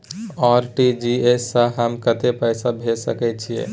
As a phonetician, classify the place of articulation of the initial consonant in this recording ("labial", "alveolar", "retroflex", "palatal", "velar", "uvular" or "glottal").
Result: alveolar